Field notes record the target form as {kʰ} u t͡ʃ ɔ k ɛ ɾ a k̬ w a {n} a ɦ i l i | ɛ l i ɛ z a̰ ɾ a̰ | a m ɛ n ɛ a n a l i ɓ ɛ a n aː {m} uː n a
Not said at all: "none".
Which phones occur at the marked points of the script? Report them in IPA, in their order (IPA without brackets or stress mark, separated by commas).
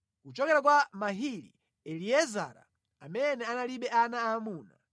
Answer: k, m, m